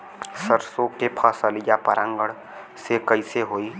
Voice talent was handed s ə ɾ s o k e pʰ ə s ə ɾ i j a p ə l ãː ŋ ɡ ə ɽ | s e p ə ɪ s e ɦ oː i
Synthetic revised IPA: s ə ɾ s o k e pʰ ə s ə l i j a p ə ɾ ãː ŋ ɡ ə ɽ | s e k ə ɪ s e ɦ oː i